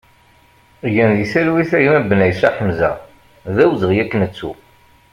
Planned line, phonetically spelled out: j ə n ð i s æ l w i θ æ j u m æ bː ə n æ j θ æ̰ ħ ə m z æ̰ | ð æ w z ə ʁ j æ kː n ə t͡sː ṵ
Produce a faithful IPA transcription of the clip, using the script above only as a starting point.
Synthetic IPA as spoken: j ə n ð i s æ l w i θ æ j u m æ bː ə n æ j s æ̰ ħ ə m z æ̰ | ð æ w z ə ʁ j æ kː n ə t͡sː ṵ

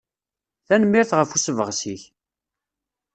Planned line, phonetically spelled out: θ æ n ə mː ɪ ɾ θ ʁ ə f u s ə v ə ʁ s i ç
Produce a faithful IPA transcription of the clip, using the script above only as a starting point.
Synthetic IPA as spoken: θ æ n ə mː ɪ ɾ θ ʁ ə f u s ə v ə ʁ s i ç

